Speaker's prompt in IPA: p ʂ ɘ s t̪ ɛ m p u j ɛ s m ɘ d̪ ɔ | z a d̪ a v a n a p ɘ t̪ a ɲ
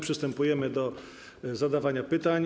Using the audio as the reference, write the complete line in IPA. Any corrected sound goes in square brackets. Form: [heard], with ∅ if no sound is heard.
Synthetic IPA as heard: p ʂ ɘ s t̪ ɛ m p u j ɛ [∅] m ɘ d̪ ɔ | z a d̪ a v a [ɲ] a p ɘ t̪ a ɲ